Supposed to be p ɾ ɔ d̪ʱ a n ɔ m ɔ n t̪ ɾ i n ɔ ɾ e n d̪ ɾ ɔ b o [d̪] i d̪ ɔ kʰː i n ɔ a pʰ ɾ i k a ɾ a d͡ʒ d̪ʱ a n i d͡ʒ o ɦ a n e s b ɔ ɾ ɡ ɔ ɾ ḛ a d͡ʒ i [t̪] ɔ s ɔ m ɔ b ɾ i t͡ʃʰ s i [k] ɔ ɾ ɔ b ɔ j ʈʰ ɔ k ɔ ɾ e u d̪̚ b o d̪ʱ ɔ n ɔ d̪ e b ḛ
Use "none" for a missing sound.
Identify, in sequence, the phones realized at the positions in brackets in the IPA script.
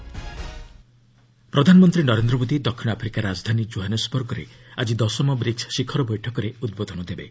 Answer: d̪, d̪, kʰ

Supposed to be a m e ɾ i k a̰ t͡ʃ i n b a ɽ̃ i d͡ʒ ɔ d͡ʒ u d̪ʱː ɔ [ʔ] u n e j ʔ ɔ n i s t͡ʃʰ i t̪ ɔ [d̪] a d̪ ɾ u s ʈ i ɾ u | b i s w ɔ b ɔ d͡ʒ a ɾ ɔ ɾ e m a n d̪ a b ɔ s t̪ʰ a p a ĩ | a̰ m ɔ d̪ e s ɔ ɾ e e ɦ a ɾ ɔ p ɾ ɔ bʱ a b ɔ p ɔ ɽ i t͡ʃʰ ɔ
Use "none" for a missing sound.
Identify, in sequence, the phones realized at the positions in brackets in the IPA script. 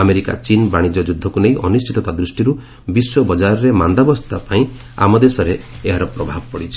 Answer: k, t̪

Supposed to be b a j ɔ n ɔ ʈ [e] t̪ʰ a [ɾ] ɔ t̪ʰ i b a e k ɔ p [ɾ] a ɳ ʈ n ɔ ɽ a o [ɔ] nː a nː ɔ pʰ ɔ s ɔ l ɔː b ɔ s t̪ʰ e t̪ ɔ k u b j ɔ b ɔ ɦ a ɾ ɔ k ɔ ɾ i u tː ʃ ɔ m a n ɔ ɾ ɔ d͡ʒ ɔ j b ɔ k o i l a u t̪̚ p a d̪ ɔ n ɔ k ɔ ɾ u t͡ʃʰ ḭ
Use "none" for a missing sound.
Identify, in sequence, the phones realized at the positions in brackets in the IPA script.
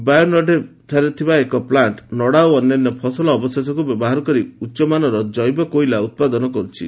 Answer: e, ɾ, l, ɔ

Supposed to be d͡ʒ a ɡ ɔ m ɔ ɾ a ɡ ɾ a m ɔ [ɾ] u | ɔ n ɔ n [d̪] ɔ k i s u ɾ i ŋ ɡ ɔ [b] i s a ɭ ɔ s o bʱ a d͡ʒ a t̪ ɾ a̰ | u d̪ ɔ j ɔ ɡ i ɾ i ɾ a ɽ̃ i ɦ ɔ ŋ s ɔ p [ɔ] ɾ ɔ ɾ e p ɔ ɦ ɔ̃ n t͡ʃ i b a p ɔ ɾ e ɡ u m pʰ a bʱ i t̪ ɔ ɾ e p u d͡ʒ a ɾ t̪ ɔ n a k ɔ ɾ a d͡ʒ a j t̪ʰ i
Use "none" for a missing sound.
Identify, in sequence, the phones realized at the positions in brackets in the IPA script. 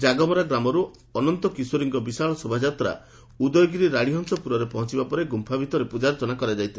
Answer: ɾ, t̪, b, u

